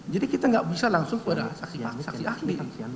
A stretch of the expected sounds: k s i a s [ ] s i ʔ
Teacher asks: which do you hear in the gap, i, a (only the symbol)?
a